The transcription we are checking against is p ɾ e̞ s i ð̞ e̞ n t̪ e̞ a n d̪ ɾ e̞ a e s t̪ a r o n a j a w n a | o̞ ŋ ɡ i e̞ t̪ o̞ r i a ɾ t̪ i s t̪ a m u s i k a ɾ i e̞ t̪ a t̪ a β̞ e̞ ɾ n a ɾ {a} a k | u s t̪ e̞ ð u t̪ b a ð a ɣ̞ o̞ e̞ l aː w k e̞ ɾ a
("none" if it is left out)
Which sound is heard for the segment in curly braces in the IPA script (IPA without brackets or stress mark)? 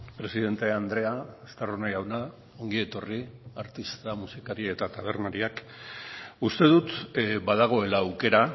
i